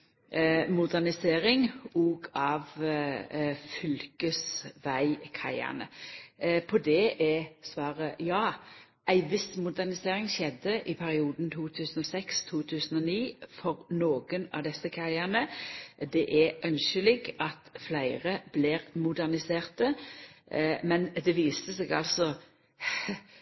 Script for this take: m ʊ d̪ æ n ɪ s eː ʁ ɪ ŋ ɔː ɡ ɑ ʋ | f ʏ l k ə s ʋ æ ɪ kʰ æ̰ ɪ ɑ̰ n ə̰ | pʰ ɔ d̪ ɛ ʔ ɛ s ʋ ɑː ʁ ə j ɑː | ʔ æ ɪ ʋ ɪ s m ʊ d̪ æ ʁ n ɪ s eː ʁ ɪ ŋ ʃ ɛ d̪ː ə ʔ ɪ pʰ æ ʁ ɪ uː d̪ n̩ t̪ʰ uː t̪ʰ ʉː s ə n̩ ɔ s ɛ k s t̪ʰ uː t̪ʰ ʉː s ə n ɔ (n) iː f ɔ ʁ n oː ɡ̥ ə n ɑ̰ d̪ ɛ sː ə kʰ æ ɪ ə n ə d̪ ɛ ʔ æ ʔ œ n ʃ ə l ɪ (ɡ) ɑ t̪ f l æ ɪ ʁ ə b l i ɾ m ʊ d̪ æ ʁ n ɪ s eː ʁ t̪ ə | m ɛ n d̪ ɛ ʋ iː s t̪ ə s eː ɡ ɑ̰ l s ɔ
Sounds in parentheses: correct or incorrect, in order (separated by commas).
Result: correct, correct